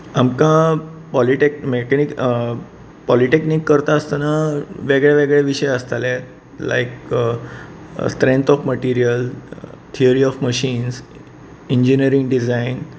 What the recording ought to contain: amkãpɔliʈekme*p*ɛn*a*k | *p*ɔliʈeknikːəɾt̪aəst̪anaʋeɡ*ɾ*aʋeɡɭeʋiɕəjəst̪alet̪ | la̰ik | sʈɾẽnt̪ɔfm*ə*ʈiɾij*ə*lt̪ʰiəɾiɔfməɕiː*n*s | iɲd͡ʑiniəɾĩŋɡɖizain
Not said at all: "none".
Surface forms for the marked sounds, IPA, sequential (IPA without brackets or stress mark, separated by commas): k, i, p, ɭ, ə, ə, n